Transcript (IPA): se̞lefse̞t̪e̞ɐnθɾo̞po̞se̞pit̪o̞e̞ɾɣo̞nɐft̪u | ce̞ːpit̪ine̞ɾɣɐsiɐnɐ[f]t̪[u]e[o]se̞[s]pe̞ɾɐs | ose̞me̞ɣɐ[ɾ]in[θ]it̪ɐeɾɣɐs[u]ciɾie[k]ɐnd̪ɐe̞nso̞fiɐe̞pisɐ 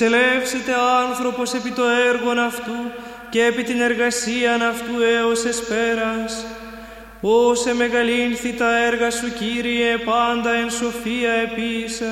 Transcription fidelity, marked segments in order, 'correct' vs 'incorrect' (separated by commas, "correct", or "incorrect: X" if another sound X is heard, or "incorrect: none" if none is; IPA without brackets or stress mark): correct, correct, correct, correct, incorrect: l, correct, correct, incorrect: p